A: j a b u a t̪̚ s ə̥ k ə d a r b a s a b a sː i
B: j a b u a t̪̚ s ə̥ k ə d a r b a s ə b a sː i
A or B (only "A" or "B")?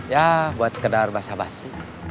A